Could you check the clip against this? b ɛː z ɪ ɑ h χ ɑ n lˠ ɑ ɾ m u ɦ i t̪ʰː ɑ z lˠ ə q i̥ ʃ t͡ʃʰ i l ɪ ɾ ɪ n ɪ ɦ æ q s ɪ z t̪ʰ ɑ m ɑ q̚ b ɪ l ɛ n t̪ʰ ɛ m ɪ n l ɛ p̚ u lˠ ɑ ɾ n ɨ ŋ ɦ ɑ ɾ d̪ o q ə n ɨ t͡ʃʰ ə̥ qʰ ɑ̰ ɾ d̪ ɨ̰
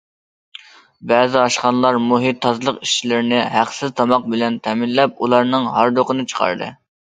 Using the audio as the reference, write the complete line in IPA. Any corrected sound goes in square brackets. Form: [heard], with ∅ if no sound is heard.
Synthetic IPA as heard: b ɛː z ɪ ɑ [ʃ] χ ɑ n lˠ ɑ ɾ m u ɦ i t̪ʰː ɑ z lˠ ə q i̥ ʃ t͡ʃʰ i l ɪ ɾ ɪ n ɪ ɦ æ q s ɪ z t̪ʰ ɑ m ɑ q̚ b ɪ l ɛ n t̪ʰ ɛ m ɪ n l ɛ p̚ u lˠ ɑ ɾ n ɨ ŋ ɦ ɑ ɾ d̪ o q ə n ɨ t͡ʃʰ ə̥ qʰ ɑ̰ ɾ d̪ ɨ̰